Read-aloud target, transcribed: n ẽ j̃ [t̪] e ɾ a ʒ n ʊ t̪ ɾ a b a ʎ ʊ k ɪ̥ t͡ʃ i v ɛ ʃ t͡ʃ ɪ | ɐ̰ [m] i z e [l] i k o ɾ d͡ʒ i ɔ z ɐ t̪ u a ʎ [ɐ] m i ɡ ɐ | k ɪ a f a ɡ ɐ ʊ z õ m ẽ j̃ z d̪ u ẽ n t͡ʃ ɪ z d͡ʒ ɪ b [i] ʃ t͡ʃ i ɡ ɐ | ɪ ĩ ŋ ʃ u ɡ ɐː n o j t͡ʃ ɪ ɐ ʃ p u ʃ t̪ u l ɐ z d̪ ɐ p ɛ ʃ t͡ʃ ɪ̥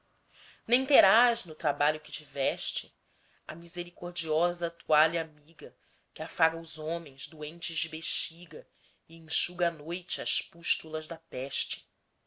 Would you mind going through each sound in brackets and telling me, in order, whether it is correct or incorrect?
correct, correct, incorrect, incorrect, incorrect

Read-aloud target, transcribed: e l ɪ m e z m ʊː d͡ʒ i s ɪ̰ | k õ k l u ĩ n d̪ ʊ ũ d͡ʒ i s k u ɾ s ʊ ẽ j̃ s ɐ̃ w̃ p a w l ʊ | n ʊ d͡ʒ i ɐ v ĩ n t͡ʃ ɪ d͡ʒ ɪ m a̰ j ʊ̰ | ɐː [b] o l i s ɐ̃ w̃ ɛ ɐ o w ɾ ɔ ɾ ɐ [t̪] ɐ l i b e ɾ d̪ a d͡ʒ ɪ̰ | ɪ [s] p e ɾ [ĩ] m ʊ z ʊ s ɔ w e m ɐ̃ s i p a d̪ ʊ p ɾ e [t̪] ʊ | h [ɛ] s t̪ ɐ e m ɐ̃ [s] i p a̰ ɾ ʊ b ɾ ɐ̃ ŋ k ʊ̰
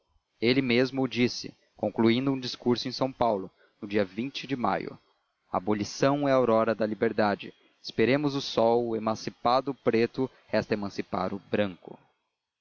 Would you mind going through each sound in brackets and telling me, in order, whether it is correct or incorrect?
correct, incorrect, correct, incorrect, correct, correct, correct

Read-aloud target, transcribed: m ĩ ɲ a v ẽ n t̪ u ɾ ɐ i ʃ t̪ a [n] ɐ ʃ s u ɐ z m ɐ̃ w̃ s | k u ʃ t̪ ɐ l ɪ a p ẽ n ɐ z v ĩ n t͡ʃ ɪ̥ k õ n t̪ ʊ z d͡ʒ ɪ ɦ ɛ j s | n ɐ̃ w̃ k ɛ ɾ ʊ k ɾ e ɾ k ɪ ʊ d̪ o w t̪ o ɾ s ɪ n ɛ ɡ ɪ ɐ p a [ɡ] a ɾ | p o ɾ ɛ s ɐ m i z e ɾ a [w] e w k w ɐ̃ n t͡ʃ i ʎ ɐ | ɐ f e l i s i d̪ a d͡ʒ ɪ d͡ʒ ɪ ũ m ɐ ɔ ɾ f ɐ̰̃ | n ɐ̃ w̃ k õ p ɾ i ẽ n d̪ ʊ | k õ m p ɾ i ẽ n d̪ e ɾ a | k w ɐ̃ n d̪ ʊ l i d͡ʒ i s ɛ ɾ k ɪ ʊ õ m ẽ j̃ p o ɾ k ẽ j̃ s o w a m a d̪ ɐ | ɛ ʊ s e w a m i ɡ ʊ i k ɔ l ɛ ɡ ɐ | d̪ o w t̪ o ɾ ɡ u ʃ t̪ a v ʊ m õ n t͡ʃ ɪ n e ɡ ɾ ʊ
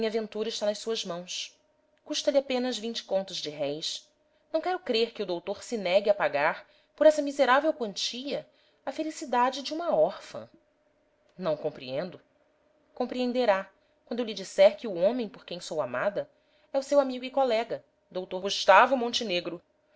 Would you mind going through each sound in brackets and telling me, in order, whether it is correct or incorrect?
correct, correct, incorrect

